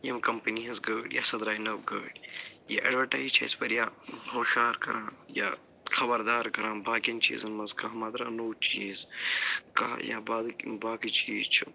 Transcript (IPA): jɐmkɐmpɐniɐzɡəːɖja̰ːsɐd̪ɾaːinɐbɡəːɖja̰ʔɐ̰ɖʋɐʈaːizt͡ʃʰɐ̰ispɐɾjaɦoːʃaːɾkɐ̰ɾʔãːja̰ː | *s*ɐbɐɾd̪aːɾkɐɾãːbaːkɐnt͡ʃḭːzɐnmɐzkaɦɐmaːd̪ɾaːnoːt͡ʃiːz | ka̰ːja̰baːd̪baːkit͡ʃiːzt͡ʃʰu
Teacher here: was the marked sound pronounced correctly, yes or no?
no